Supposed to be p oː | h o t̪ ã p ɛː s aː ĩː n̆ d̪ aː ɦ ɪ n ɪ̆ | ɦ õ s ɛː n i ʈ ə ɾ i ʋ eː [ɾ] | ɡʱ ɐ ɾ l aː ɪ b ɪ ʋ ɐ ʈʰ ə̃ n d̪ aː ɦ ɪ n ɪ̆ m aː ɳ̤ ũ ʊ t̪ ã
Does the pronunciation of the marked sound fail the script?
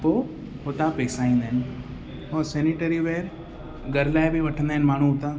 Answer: no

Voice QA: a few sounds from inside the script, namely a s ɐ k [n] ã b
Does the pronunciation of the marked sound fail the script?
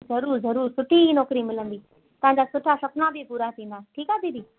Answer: no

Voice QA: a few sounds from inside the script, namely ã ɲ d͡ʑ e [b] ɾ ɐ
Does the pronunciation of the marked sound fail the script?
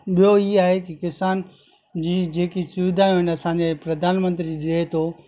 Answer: yes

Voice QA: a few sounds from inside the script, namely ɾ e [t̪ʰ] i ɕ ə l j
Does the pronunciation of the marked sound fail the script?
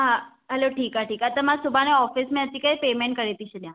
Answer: yes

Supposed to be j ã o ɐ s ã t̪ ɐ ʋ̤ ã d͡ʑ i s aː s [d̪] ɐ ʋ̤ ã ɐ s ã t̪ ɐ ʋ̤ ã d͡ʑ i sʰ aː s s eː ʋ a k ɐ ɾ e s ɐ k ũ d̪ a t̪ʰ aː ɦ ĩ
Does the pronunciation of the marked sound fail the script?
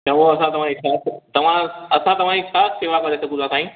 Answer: yes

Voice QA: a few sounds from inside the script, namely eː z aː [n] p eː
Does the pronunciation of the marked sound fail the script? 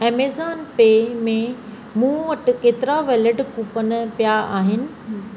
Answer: no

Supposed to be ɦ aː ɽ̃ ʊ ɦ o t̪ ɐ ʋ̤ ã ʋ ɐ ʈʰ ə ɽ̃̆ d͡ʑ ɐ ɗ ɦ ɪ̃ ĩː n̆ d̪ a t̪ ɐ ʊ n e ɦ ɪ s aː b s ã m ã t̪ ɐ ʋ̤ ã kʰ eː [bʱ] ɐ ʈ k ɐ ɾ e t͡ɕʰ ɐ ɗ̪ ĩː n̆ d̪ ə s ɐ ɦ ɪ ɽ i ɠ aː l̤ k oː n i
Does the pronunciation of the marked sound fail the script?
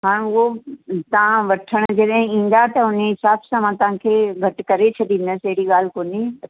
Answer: yes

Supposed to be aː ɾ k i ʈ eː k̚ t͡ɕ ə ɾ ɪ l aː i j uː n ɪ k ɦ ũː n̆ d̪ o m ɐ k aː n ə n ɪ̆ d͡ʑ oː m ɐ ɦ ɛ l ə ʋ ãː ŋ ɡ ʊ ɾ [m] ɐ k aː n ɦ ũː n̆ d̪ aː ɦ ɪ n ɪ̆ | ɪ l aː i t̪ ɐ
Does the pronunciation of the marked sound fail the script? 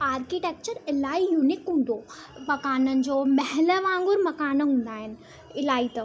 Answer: no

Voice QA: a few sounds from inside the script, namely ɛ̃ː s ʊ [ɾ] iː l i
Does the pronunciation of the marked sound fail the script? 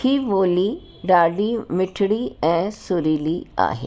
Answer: no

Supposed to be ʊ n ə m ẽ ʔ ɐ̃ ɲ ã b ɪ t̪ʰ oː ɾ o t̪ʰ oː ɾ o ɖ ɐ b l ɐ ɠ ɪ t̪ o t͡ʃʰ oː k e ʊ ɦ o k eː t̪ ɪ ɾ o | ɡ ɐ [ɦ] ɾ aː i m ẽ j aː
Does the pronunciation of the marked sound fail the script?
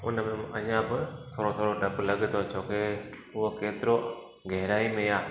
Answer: no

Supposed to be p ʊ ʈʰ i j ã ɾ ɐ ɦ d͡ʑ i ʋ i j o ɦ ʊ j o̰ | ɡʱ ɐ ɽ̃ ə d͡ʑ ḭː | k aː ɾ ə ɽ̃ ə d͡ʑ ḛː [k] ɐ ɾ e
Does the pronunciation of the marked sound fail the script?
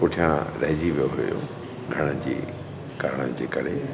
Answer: no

